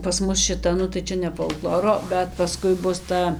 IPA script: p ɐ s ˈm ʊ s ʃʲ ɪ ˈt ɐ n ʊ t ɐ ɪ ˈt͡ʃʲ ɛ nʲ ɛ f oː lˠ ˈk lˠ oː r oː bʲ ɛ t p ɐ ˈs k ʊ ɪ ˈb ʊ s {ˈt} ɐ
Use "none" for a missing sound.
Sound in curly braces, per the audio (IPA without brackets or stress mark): t